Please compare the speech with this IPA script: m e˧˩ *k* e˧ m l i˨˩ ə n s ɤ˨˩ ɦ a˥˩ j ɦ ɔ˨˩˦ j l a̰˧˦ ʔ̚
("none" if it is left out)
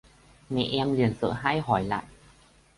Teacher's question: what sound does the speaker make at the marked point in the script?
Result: ʔ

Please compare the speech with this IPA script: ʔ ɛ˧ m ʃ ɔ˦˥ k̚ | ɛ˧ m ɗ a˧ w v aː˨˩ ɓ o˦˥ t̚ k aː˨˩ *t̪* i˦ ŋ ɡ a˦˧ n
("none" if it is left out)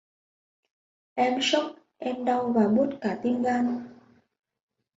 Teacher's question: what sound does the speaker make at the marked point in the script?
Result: t̪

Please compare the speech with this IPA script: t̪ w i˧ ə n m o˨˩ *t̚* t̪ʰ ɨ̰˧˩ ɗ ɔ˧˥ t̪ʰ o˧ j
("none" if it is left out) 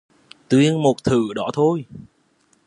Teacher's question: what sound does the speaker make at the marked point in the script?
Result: t̚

